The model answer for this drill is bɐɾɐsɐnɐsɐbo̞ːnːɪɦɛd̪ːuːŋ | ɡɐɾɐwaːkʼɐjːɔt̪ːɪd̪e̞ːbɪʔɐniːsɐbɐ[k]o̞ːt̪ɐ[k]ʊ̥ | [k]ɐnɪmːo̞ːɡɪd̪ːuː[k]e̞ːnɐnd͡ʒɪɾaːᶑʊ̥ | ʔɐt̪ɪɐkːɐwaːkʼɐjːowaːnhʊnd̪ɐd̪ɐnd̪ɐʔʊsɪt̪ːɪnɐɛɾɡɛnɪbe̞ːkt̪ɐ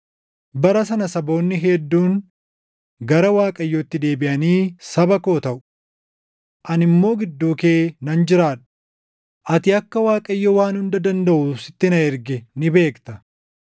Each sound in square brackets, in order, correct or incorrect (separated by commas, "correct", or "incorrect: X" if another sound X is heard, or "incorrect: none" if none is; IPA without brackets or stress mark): correct, incorrect: ʔ, incorrect: ʔ, correct